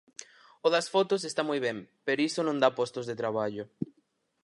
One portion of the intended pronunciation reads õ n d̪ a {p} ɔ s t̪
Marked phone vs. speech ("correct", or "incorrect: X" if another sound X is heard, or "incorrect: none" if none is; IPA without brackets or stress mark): correct